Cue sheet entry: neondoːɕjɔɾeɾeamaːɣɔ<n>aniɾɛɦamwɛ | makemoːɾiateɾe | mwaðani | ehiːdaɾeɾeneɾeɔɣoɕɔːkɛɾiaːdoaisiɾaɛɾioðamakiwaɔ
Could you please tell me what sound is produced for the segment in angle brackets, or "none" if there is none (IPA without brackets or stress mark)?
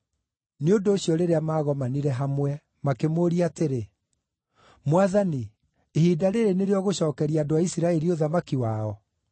m